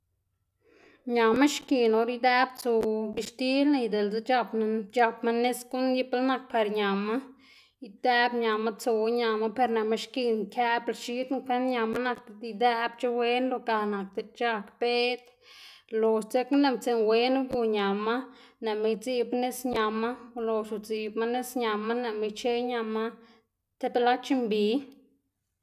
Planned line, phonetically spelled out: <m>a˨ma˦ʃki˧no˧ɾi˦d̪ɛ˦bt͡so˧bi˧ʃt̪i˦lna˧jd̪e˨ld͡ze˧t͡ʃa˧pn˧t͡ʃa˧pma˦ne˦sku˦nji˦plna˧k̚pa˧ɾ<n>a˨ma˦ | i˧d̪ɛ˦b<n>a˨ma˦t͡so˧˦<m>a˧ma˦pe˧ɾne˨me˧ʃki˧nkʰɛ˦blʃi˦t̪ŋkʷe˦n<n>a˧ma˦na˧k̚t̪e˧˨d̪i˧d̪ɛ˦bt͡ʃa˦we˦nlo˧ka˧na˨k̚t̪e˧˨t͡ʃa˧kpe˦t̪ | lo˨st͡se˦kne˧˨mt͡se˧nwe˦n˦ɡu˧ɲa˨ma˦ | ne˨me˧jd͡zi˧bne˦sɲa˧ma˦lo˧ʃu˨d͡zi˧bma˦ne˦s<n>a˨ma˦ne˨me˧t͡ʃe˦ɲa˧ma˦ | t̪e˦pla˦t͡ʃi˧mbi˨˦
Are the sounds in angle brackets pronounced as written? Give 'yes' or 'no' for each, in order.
no, no, no, no, no, no

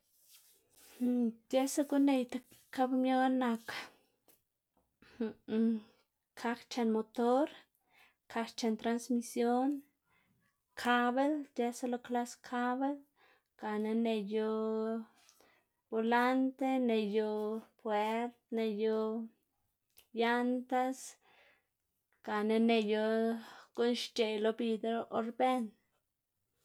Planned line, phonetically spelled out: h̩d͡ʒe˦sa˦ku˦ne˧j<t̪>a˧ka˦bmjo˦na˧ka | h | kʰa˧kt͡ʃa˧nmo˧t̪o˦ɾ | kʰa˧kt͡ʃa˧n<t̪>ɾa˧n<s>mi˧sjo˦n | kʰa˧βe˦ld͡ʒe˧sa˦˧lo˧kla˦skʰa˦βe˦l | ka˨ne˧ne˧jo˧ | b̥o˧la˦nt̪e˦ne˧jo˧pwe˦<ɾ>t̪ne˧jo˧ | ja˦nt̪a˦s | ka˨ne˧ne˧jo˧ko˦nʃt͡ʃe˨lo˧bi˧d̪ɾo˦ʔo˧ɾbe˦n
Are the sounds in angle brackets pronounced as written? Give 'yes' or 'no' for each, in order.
yes, yes, yes, yes

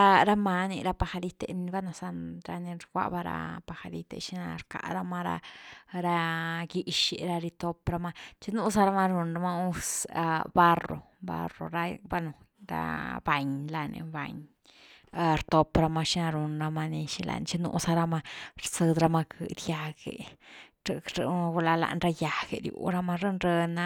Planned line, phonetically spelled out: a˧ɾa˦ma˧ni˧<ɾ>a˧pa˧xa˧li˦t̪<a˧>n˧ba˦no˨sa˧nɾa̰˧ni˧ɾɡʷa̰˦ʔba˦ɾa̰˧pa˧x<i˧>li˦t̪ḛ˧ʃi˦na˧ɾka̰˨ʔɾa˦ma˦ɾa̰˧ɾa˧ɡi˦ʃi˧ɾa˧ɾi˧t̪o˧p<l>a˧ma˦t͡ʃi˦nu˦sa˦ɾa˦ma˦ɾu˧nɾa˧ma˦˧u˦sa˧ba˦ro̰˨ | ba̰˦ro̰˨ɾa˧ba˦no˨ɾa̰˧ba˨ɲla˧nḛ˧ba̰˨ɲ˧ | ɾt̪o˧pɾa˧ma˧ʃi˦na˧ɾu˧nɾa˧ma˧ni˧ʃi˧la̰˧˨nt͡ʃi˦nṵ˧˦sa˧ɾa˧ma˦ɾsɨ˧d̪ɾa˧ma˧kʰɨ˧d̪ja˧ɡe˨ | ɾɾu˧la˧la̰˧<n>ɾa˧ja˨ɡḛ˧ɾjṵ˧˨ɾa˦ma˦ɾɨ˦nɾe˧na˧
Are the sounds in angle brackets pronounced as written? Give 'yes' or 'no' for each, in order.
yes, no, no, no, yes

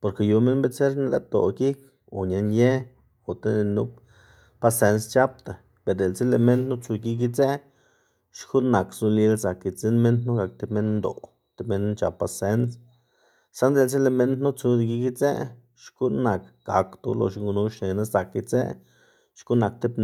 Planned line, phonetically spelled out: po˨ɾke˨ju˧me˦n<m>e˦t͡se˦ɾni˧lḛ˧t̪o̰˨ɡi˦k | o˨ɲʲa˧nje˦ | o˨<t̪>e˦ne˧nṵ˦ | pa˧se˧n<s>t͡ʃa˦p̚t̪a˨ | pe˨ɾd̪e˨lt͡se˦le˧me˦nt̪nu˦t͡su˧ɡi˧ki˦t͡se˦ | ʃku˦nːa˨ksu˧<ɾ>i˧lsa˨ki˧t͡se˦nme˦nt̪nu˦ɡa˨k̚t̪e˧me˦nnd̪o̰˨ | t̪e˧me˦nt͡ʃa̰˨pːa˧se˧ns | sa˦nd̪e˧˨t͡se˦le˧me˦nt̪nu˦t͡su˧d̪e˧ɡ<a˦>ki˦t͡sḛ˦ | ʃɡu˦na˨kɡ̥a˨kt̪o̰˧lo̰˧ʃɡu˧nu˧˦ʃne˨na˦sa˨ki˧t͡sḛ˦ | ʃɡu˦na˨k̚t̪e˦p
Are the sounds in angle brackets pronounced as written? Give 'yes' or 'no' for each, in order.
no, yes, yes, no, no

